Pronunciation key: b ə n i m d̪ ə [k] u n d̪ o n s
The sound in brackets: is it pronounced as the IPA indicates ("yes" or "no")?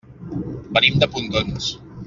no